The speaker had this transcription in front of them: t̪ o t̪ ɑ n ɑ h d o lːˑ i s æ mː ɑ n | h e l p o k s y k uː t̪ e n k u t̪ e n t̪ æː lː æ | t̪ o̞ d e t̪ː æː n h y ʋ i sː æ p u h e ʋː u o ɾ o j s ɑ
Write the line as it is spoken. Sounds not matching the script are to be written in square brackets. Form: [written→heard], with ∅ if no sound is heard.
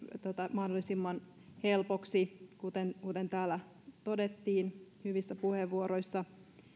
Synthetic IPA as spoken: t̪ o t̪ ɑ [n→m] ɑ h d o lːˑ i s [æ→i] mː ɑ n | h e l p o k s [y→i] k [uː→u] t̪ e n k u t̪ e n t̪ æː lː æ | t̪ o̞ d e t̪ː [æː→iː] n h y ʋ i sː æ p u h e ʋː u o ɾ o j [s→sː] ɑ